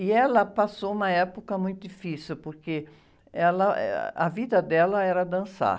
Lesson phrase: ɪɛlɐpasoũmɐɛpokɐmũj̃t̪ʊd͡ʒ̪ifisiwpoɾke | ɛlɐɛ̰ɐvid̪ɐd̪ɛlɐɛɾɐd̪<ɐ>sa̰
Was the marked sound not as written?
yes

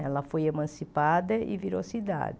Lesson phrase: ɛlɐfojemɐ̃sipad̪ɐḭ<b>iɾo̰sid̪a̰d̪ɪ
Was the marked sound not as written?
yes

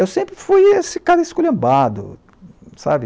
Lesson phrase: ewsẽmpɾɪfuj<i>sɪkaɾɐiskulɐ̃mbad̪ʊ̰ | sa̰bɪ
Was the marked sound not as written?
yes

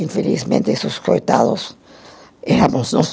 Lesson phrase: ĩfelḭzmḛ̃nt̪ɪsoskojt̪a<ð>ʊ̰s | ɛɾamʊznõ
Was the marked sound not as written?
no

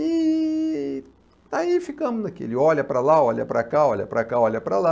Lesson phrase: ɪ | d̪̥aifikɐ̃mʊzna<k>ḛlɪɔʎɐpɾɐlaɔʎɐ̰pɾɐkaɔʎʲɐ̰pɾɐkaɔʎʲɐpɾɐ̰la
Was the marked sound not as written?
no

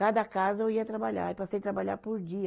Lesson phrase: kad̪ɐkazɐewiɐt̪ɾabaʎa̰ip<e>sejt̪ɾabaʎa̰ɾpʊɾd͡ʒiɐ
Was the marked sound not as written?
yes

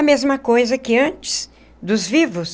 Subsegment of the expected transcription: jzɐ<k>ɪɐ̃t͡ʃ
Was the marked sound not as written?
no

